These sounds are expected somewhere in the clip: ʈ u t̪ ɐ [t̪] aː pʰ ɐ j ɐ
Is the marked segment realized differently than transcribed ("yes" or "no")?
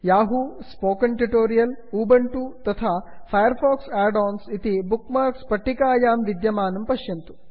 yes